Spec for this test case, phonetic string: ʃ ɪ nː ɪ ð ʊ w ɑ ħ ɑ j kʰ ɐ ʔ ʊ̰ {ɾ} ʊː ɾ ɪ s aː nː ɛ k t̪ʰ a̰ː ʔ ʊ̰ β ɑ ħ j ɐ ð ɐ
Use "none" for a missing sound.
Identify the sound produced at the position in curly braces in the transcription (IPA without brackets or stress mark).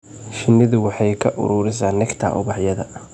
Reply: ɾ